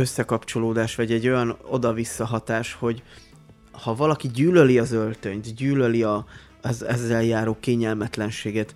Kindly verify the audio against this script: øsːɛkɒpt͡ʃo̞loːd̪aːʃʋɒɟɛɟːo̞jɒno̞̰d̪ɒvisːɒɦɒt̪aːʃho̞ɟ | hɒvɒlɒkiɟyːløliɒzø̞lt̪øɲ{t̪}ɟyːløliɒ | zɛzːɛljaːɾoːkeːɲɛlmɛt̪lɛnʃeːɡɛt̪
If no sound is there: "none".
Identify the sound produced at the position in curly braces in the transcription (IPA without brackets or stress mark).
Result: t̪